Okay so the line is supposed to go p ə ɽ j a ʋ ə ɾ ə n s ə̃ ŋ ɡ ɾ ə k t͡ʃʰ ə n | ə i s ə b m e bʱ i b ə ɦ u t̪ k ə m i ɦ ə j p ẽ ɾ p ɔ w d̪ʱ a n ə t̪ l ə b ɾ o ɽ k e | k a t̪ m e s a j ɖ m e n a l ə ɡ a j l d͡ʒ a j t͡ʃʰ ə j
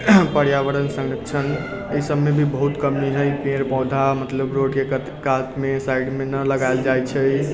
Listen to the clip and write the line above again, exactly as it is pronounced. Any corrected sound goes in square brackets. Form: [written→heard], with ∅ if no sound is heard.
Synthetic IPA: p ə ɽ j a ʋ ə ɾ ə n s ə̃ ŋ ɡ ɾ ə k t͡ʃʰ ə n | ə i s ə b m e bʱ i b ə ɦ u t̪ k ə m i ɦ ə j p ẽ ɾ p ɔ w d̪ʱ a [n→m] ə t̪ l ə b ɾ o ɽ k e | k a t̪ m e s a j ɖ m e n [a→ə] l ə ɡ a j l d͡ʒ a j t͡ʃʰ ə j